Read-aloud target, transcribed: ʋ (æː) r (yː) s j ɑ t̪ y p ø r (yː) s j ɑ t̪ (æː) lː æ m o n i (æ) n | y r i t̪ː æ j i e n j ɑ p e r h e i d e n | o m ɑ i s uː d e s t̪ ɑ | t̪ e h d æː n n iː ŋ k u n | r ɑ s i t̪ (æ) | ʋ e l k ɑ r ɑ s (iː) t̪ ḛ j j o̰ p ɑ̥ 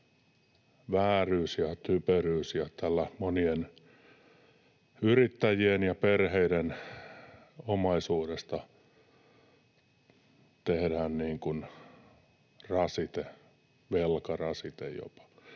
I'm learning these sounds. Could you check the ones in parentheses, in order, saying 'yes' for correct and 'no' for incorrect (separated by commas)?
yes, yes, yes, no, no, no, no